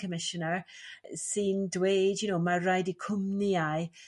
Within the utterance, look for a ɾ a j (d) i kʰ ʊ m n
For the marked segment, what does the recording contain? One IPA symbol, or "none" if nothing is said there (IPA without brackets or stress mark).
d